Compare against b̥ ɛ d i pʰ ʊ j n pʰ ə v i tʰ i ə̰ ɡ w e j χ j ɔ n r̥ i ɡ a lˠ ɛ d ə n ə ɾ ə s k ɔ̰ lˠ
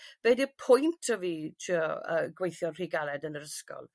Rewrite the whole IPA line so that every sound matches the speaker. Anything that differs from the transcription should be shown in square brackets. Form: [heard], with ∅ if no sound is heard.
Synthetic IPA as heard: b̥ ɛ d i pʰ ʊ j n [tʰ] ə v i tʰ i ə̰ ɡ w e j [θ] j ɔ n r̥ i ɡ a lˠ ɛ d ə n ə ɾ ə s k ɔ̰ lˠ